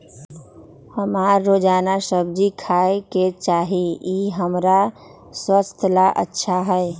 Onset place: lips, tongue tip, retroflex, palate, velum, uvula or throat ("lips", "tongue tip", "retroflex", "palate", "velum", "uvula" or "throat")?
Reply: throat